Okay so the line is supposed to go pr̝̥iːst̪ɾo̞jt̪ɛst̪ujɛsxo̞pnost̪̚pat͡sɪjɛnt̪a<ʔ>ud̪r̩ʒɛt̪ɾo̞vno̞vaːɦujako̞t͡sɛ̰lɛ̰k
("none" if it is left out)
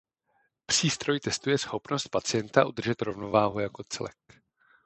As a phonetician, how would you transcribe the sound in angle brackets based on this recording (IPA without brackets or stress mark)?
ʔ